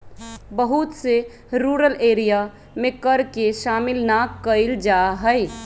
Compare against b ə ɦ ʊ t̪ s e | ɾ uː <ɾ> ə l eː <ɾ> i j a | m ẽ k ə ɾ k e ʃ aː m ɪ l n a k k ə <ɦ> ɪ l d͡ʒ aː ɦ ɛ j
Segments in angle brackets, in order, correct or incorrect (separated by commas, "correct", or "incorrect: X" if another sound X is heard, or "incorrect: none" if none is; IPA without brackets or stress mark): correct, correct, incorrect: none